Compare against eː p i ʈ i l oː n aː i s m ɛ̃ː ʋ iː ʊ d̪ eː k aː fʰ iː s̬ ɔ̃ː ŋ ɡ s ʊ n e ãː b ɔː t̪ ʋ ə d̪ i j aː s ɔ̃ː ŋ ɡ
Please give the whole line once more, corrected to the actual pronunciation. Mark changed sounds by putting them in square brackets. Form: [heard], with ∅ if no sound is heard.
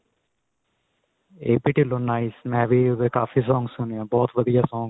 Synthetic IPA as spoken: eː p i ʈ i l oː n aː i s m ɛ̃ː ʋ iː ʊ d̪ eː k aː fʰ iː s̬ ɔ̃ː ŋ ɡ s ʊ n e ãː b ɔː t̪ ʋ ə d̪ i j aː s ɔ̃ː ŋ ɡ